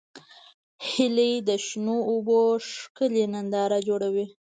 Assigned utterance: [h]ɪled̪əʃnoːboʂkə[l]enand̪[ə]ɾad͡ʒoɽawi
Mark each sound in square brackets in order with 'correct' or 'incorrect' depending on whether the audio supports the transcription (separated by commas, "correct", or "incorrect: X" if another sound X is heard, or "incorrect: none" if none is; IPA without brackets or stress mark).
correct, correct, incorrect: ɑ